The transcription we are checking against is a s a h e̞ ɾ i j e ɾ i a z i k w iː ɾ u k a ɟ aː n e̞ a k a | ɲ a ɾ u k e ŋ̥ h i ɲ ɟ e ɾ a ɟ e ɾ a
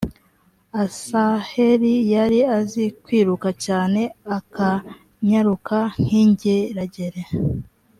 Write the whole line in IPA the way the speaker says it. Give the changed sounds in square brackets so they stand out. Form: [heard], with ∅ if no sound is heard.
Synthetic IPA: a s a h e̞ ɾ i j [a] ɾ i a z i k w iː ɾ u k a [c] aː n e̞ a k a | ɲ a ɾ u k [a] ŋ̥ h i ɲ ɟ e ɾ a ɟ e ɾ [e]